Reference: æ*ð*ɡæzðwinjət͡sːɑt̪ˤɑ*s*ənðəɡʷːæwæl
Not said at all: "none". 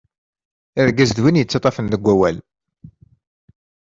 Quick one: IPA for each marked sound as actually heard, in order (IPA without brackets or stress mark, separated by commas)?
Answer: ð, f